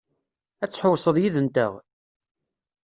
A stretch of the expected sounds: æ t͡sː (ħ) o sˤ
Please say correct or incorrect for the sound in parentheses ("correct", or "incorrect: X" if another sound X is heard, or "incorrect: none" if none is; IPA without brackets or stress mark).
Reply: correct